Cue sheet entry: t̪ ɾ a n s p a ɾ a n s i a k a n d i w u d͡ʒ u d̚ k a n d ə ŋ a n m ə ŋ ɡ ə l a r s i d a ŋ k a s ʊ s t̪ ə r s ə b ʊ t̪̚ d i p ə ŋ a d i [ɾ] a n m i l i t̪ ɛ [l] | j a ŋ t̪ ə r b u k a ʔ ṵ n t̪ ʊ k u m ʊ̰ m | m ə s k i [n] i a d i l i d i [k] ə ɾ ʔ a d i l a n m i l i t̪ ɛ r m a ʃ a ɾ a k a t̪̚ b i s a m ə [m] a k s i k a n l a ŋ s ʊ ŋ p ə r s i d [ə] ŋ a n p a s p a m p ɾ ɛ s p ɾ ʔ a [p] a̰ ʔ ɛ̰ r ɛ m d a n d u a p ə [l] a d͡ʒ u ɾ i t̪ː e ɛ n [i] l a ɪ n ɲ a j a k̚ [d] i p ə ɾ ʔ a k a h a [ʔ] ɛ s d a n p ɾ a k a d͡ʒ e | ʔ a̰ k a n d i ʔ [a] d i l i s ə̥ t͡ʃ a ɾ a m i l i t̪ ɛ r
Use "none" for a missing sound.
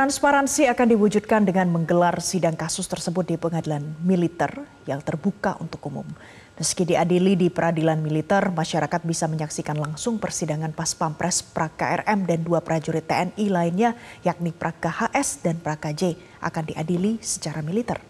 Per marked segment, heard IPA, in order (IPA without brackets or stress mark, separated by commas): l, r, d, p, ɲ, a, k, ɾ, i, n, ʔ, a